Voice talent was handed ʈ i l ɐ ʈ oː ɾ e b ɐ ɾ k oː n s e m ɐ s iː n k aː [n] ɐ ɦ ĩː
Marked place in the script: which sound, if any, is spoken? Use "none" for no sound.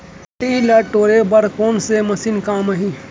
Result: m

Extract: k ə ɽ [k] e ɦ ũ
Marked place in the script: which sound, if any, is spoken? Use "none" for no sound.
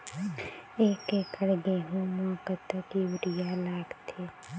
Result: ɡ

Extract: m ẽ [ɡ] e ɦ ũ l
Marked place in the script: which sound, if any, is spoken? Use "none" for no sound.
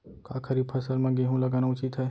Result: ɡ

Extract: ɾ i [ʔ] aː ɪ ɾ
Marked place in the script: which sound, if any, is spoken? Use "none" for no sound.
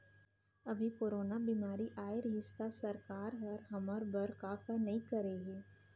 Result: ʔ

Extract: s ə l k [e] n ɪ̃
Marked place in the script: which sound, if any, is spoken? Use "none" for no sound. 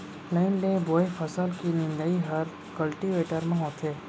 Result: i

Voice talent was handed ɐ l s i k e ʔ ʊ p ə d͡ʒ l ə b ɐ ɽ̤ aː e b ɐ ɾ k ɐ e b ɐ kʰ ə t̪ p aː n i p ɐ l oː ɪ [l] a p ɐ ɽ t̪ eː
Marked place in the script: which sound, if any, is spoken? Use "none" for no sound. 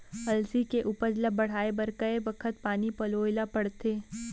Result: l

